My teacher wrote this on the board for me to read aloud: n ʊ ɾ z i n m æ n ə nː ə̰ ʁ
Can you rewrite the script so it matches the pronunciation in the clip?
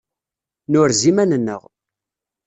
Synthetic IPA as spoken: n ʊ ɾ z i m æ n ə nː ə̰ ʁ